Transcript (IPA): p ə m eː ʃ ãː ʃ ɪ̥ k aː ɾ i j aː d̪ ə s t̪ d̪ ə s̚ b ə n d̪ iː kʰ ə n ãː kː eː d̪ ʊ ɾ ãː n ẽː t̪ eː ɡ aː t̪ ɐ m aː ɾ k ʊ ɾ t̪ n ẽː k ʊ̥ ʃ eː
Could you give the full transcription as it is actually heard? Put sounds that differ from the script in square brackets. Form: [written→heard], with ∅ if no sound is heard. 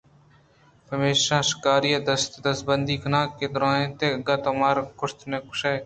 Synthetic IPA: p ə m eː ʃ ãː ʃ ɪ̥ k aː ɾ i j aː d̪ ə s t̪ d̪ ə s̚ b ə n d̪ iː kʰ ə n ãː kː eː d̪ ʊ ɾ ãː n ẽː t̪ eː ɡ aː t̪ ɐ m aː ɾ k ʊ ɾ t̪ n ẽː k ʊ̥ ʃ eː